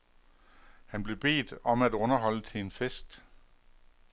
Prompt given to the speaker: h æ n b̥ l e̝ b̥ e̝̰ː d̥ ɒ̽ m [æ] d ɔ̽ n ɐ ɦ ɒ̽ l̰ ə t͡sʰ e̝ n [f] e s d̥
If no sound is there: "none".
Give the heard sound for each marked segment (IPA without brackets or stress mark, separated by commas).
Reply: æ, f